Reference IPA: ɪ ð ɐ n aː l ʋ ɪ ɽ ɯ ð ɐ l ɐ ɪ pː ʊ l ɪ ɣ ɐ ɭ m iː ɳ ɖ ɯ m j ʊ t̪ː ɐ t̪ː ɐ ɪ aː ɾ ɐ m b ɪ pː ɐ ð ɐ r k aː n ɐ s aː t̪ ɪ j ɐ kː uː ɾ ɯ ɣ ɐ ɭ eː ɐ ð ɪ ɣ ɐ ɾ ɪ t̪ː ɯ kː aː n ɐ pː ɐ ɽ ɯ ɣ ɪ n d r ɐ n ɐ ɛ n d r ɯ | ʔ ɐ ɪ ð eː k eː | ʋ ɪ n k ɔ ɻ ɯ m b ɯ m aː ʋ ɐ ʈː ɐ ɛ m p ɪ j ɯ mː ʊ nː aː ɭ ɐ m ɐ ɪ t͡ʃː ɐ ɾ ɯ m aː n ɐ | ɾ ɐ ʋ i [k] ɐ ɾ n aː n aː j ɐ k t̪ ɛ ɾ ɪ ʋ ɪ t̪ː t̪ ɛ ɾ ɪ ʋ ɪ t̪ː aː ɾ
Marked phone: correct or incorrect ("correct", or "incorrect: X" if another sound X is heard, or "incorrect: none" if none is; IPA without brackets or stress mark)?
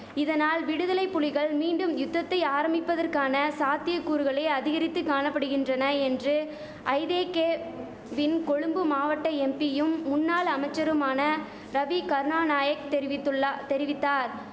correct